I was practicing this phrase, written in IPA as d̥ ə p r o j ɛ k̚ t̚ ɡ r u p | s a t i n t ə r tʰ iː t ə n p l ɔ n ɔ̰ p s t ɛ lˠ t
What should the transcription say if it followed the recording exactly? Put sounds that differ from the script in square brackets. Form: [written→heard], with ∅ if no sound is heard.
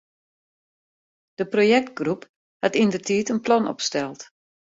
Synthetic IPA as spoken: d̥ ə p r o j ɛ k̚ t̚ ɡ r u p | [s→h] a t i n [t→d] ə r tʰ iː t ə n p l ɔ n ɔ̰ p s t ɛ lˠ t